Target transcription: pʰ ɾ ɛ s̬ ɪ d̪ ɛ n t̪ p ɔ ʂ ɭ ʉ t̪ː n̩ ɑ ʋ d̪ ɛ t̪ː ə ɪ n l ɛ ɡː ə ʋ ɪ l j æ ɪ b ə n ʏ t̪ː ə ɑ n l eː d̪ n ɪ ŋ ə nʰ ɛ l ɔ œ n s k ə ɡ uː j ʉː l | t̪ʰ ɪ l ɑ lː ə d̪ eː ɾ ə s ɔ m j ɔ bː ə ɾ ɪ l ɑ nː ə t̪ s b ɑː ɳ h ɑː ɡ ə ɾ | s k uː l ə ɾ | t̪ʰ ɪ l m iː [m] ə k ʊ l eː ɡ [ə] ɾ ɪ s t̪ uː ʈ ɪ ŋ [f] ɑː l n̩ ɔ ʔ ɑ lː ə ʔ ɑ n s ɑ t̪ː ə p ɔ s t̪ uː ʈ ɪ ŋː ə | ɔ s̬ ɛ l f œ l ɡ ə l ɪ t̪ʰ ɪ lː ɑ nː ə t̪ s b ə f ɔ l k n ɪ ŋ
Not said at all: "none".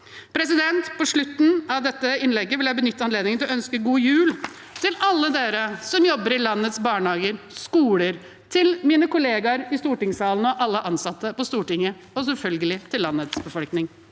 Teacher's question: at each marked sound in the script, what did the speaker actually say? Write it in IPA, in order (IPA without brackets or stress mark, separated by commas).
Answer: n, ɑ, s